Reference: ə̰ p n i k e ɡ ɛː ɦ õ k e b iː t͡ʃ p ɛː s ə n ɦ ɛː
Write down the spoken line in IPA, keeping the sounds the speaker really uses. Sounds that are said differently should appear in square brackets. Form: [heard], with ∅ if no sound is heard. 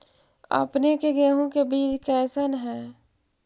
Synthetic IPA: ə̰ p n [e] k e ɡ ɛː ɦ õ k e b iː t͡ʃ [k] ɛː s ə n ɦ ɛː